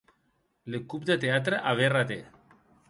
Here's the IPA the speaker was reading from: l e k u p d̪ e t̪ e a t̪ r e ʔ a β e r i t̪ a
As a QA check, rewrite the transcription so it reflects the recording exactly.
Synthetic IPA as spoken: l e k u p d̪ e t̪ e a t̪ ɾ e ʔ a β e r a t̪ e